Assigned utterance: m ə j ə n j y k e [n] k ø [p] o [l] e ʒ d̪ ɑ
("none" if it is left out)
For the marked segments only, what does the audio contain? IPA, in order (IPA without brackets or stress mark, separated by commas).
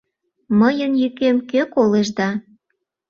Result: m, k, l